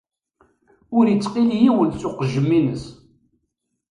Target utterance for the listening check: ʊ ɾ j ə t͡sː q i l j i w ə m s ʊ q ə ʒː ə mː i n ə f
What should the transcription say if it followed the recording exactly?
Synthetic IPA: ʊ ɾ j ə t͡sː q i l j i w ə n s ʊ q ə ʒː ə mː i n ə s